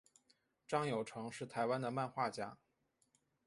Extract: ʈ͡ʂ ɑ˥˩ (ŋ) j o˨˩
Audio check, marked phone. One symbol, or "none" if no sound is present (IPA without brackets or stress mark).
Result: ŋ